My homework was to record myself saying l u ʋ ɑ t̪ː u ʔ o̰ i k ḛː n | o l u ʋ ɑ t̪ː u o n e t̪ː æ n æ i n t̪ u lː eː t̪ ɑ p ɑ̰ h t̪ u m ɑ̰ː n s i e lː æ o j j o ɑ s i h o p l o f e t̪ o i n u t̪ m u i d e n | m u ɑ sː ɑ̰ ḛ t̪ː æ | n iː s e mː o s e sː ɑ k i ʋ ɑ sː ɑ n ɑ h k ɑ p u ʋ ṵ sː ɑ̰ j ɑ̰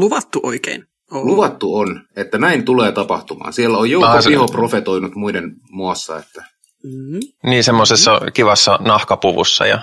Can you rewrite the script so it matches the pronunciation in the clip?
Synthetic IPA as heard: l u ʋ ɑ t̪ː u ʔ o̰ i k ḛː n | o l u ʋ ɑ t̪ː u o n e t̪ː æ n æ i n t̪ u l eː t̪ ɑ p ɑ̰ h t̪ u m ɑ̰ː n s i e lː æ o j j o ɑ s i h o p r o f e t̪ o i n u t̪ m u i d e n | m u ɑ sː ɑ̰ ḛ t̪ː æ | n iː s e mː o s e sː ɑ k i ʋ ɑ sː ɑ n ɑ h k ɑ p u ʋ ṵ sː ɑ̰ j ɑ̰